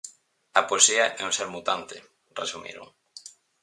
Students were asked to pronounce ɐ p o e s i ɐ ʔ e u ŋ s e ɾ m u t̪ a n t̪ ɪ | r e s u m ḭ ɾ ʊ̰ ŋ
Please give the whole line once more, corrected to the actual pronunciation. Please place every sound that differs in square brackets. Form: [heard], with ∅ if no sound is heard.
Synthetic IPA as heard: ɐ p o e s i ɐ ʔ [ɛ] u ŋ s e ɾ m u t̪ a n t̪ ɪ | r e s u m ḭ ɾ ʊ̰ ŋ